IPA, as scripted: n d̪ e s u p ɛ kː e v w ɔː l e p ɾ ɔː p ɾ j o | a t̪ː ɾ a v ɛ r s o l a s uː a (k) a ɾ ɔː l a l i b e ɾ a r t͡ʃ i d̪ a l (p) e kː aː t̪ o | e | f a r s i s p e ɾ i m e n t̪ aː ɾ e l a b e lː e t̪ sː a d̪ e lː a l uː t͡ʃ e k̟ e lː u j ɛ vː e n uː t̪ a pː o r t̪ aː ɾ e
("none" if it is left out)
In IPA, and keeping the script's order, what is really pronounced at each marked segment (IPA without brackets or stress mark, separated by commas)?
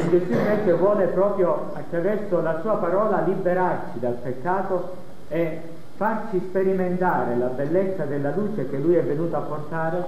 p, p